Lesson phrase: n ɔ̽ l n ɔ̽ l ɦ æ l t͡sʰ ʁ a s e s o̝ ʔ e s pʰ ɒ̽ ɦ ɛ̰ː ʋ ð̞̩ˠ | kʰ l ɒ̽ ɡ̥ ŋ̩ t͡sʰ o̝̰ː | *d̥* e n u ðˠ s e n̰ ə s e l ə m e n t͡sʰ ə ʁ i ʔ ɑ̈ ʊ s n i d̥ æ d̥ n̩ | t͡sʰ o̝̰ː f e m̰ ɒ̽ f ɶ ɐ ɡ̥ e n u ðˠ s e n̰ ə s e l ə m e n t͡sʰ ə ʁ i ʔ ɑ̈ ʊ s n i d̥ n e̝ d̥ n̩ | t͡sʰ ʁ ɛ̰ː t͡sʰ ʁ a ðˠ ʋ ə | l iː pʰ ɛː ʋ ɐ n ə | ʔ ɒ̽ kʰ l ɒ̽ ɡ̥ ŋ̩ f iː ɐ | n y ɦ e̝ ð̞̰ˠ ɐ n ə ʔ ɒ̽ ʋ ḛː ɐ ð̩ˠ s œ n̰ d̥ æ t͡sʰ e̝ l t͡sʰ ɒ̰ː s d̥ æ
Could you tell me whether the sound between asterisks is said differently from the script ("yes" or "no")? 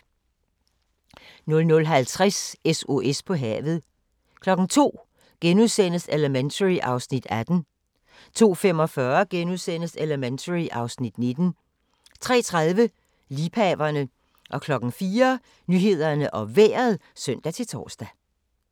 yes